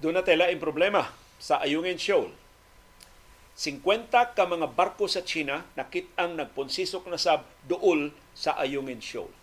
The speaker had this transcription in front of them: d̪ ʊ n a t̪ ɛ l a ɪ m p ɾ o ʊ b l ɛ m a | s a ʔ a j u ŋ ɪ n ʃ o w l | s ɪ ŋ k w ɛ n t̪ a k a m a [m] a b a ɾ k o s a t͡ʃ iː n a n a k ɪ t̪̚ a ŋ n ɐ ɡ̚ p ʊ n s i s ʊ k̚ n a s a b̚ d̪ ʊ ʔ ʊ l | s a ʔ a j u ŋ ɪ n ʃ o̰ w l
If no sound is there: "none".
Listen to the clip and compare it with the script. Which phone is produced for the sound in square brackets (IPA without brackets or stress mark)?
ŋ